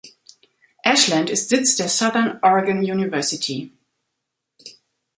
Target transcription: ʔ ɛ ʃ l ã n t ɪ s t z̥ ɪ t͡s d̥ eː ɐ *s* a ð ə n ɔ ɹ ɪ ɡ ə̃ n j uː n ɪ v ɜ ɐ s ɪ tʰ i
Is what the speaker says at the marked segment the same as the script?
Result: yes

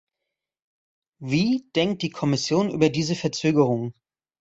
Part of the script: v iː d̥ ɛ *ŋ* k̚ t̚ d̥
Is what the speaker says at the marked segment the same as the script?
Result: yes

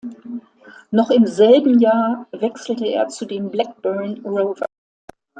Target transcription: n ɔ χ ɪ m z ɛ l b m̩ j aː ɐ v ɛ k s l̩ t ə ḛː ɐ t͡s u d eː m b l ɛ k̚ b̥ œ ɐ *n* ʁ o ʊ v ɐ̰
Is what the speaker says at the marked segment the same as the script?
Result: yes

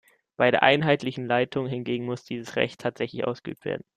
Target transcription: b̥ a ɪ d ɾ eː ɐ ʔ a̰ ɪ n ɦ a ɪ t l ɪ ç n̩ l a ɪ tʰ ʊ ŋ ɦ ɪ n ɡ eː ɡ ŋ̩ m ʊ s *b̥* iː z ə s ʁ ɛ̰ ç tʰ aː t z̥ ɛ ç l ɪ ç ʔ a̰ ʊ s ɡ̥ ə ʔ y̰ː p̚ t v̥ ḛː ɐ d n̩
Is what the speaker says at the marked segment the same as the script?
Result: no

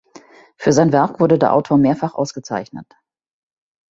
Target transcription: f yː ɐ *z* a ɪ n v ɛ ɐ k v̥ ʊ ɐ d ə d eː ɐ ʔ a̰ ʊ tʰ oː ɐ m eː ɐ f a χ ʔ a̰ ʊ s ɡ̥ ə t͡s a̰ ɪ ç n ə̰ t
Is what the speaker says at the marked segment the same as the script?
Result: yes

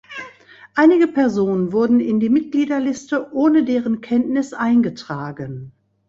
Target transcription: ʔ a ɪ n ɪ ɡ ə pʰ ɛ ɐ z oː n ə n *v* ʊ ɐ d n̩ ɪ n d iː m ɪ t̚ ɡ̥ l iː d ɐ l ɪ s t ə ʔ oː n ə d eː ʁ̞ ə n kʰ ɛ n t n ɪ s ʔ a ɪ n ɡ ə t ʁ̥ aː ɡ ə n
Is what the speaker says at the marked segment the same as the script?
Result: yes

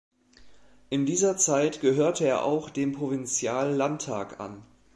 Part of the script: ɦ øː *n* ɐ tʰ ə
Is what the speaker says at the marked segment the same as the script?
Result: no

